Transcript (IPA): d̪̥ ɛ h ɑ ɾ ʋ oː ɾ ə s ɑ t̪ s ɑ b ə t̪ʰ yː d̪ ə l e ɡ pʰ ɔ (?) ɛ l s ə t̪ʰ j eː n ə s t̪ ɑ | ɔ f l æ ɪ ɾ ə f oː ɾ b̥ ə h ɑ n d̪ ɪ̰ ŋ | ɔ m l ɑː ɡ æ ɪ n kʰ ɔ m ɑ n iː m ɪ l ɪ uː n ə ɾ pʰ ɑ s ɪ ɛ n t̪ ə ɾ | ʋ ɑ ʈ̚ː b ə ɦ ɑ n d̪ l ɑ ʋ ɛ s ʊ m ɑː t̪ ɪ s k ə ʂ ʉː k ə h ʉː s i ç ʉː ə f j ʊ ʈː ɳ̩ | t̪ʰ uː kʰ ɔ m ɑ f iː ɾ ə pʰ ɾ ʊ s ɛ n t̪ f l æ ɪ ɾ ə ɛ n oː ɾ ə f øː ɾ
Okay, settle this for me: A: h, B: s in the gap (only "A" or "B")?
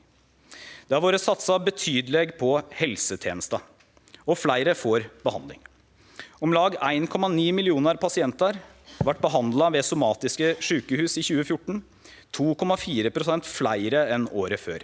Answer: A